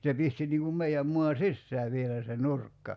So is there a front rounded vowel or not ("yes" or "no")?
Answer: no